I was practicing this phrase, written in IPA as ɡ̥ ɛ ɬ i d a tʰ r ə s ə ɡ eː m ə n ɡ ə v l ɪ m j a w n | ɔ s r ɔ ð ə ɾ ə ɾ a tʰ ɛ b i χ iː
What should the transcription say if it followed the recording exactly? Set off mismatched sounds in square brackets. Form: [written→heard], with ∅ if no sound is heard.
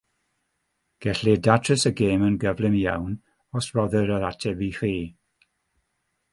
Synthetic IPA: ɡ̥ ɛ ɬ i d a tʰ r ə s ə ɡ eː m ə n ɡ ə v l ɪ m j a w n | ɔ s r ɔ ð ə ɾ ə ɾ a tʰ ɛ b i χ iː